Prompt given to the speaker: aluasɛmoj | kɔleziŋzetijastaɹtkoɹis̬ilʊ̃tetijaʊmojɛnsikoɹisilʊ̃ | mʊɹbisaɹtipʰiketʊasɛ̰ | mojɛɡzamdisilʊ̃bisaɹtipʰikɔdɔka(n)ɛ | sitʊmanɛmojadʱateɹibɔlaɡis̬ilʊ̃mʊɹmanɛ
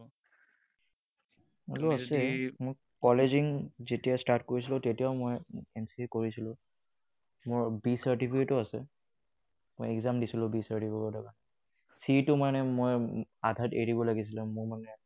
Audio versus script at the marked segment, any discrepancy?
no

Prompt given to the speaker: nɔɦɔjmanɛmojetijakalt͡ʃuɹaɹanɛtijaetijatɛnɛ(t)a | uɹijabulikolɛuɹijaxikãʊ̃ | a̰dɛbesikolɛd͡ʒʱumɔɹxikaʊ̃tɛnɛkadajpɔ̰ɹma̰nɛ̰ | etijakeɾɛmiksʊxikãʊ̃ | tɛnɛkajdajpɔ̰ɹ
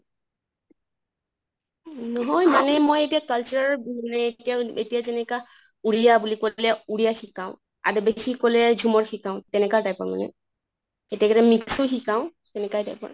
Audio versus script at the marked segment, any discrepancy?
yes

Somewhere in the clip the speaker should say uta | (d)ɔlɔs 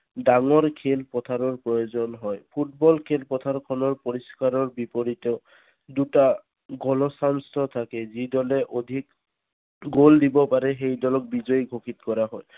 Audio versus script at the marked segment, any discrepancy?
yes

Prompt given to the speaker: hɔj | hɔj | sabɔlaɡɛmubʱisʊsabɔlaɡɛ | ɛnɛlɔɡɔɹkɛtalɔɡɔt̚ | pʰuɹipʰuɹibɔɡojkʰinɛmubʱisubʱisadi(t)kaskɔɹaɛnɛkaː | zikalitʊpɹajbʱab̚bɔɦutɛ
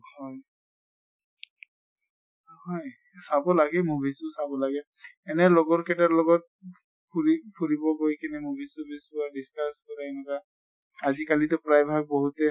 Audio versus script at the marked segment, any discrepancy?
yes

